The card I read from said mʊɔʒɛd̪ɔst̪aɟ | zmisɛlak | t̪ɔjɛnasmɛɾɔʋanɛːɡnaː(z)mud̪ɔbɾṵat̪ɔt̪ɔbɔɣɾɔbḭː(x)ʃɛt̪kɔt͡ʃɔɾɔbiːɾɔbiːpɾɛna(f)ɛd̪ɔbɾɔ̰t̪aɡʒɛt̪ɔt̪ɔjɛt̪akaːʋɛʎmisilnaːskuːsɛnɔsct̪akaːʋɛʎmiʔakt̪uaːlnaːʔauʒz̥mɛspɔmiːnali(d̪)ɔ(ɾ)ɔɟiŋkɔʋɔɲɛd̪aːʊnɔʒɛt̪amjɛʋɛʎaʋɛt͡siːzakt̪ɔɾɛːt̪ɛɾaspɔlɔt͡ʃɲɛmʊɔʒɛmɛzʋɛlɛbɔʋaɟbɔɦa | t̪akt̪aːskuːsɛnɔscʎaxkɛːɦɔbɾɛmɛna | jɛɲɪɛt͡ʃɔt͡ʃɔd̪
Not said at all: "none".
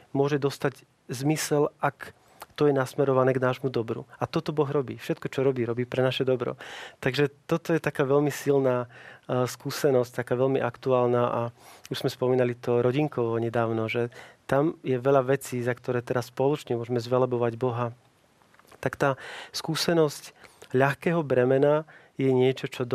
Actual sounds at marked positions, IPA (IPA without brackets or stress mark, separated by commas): ʒ, f, ʃ, t̪, ɾ